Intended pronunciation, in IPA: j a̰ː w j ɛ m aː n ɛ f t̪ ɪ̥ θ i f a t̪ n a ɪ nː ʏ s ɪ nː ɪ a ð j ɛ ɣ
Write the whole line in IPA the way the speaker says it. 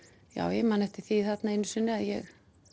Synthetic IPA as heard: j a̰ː w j ɛ m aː n ɛ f t̪ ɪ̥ θ i θ a t̪ n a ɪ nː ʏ s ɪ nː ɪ a ð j ɛ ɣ